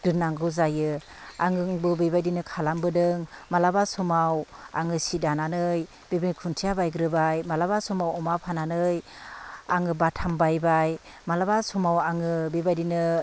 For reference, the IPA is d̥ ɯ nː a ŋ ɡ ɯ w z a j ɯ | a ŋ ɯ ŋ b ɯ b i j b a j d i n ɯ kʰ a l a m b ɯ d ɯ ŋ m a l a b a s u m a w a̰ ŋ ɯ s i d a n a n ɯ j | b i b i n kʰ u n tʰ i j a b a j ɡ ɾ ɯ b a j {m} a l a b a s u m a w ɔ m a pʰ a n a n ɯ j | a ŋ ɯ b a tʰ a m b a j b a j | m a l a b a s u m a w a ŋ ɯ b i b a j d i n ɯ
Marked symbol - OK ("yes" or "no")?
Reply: yes